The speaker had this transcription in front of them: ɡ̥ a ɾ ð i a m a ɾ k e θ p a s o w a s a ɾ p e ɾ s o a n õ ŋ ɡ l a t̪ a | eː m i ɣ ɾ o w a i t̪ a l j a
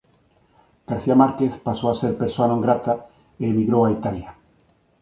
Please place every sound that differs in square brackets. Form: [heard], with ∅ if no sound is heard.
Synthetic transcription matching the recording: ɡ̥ a ɾ [θ] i a m a ɾ k e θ p a s o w a s [e] ɾ p e ɾ s o a n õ ŋ ɡ [ɾ] a t̪ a | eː m i ɣ ɾ o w a i t̪ a l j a